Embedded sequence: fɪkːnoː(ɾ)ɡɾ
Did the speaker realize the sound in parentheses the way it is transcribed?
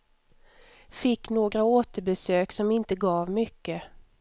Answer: no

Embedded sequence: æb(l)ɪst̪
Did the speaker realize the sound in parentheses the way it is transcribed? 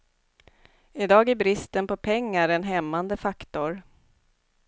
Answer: no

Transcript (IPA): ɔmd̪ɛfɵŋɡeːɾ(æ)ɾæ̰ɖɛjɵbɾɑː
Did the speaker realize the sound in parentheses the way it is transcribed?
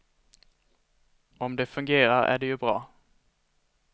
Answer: no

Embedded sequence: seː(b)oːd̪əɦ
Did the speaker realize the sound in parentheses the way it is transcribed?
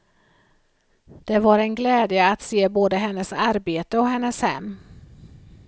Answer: yes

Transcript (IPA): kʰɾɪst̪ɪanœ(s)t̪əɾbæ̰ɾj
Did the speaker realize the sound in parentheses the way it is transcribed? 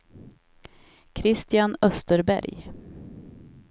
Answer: yes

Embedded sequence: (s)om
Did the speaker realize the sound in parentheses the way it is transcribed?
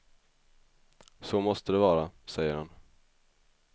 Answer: yes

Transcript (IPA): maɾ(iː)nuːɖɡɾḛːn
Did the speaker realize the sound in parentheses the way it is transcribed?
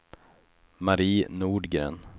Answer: yes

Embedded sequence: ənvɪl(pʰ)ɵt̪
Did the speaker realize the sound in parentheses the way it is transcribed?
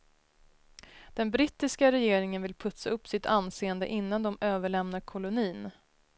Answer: yes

